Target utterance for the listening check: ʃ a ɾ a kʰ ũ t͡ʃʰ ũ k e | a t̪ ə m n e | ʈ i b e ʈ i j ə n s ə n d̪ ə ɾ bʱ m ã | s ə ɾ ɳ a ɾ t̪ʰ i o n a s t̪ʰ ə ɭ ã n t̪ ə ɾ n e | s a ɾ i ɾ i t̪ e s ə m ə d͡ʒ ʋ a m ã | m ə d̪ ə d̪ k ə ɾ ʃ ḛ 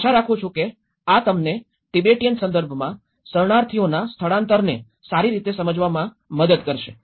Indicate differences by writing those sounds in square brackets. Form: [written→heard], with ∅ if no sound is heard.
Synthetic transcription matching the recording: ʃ a ɾ a kʰ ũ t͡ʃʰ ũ k e | a t̪ ə m n e | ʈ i b e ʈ i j ə n s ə n d̪ ə ɾ bʱ m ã | s ə ɾ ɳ a ɾ t̪ʰ i o n a s t̪ʰ ə ɭ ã n t̪ ə ɾ n e | s a ɾ i ɾ i t̪ e s ə m ə d͡ʒ ʋ a m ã | m ə d̪ ə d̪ k ə ɾ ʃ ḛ